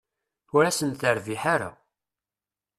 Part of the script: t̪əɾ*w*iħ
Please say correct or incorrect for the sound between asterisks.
incorrect